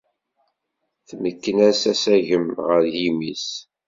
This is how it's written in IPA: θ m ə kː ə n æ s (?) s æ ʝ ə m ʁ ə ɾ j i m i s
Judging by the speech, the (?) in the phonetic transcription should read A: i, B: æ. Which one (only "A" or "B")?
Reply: B